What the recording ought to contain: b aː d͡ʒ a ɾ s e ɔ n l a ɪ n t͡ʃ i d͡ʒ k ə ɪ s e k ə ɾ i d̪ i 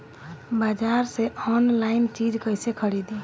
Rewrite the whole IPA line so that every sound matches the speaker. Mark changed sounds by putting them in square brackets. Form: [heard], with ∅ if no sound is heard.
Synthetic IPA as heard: b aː d͡ʒ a ɾ s e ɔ n l a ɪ n t͡ʃ i d͡ʒ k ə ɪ s e [kʰ] ə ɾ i d̪ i

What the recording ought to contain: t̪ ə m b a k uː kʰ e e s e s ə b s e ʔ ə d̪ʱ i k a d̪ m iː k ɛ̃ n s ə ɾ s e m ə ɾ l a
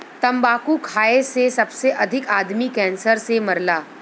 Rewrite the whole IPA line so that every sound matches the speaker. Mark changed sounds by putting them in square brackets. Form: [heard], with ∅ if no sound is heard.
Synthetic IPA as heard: t̪ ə m b a k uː kʰ [a] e s e s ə b s e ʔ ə d̪ʱ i k a d̪ m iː k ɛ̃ n s ə ɾ s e m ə ɾ l a

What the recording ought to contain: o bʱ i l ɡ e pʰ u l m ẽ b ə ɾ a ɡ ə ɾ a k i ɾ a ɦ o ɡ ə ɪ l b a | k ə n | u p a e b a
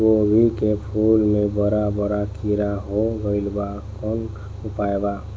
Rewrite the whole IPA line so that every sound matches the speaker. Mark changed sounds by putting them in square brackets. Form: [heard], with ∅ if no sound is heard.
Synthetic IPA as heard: o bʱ i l [k] e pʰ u l m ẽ b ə ɾ a [b] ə ɾ a k i ɾ a ɦ o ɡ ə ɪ l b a | k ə n | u p a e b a

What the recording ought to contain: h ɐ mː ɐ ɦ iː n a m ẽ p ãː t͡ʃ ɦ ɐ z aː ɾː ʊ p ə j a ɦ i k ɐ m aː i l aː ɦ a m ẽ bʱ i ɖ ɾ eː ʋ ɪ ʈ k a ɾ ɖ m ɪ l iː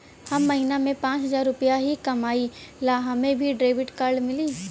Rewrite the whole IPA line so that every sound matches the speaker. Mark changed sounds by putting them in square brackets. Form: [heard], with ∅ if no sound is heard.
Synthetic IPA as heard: h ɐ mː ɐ ɦ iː n a m ẽ p ãː t͡ʃ ɦ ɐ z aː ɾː ʊ p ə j a ɦ i k ɐ m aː i l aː ɦ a m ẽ bʱ i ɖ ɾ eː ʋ ɪ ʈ k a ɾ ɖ m ɪ l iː

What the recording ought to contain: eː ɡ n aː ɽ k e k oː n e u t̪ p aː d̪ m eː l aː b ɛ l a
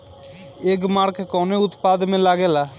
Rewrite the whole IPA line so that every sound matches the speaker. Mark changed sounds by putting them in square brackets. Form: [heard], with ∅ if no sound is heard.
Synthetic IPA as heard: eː ɡ [m] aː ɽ k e k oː n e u t̪ p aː d̪ m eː l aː [ɡ] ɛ l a

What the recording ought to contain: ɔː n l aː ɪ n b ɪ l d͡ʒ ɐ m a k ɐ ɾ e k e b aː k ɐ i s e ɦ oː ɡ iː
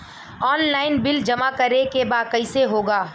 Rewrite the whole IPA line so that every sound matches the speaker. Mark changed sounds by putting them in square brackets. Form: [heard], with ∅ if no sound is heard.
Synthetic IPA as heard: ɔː n l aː ɪ n b ɪ l d͡ʒ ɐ m a k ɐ ɾ e k e b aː k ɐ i s e ɦ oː ɡ [aː]

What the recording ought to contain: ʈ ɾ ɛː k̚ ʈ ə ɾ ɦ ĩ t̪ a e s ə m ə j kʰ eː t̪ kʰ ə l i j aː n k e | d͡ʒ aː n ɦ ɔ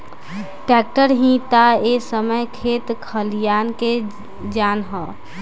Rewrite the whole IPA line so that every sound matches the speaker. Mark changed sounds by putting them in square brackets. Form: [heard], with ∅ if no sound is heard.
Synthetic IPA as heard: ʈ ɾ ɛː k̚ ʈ ə ɾ ɦ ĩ t̪ a e s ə m ə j kʰ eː t̪ kʰ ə l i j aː n k e | d͡ʒ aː n ɦ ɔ

